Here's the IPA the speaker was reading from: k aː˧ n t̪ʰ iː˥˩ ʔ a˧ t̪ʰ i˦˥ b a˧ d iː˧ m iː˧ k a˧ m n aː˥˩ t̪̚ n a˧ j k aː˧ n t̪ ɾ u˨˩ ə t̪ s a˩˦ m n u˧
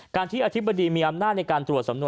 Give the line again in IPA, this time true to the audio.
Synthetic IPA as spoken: k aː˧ n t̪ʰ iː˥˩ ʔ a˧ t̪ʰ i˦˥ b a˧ d iː˧ m iː˧ ʔ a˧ m n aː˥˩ t̪̚ n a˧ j k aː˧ n t̪ ɾ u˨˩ ə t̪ s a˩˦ m n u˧